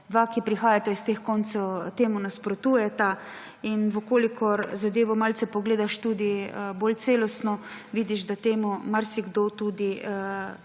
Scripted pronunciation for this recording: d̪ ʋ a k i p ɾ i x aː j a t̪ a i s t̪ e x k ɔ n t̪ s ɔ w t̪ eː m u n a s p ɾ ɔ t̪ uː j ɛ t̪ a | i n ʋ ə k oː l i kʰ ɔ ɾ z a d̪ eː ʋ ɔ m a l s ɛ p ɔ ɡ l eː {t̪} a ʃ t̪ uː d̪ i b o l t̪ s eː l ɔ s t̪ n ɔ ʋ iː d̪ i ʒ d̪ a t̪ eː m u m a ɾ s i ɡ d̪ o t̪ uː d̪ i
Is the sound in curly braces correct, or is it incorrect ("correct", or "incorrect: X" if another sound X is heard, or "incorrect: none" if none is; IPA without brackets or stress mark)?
incorrect: d̪